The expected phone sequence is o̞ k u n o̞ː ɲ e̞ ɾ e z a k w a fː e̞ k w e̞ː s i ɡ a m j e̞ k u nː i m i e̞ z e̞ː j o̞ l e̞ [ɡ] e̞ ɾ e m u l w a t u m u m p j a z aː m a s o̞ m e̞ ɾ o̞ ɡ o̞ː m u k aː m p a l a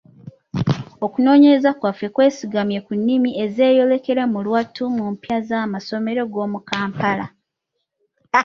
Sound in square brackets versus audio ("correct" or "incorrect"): incorrect